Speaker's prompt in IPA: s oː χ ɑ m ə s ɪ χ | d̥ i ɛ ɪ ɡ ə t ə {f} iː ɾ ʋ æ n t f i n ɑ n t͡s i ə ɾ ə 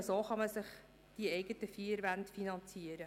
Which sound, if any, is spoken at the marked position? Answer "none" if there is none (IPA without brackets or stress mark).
f